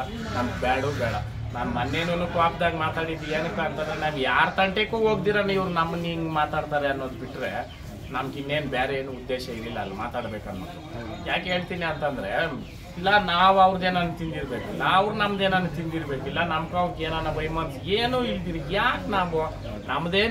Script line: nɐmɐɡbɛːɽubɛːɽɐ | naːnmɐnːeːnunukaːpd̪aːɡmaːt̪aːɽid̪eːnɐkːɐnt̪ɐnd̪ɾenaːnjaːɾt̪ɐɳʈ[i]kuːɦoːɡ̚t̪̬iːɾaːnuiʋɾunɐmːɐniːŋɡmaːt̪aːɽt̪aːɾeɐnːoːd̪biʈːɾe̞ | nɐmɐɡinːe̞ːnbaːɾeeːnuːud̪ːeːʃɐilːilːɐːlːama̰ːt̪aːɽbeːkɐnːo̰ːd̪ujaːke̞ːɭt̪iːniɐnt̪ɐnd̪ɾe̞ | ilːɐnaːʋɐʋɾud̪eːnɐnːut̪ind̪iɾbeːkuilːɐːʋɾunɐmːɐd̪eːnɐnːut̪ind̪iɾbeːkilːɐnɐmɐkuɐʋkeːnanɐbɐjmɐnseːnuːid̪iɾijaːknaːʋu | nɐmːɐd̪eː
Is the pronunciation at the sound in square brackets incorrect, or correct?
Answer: incorrect